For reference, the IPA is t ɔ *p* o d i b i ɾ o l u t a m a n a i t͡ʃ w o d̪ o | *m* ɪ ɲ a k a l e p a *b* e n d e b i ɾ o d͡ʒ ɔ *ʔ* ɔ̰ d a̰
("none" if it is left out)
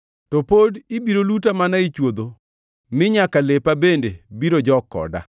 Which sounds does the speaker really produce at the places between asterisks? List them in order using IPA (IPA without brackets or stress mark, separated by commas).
p, m, b, k